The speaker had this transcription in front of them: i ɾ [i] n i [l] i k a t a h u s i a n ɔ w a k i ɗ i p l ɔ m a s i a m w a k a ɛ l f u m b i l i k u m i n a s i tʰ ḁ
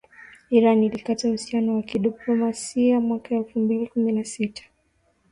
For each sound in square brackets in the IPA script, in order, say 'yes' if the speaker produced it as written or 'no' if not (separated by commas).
no, yes